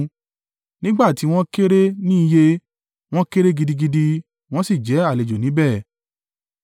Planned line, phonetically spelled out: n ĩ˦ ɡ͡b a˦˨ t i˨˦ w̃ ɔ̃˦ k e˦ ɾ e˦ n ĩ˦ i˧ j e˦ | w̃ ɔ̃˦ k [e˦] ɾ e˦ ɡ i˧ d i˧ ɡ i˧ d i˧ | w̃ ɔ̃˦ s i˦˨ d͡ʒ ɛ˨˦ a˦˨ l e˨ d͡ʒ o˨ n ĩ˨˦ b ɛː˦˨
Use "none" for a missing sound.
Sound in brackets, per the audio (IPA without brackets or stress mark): e˦